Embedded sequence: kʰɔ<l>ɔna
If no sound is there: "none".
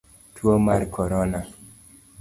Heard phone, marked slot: ɾ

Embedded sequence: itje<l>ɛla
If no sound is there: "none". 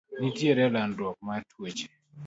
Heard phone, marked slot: ɾ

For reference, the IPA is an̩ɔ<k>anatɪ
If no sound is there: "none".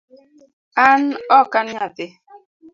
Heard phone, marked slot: k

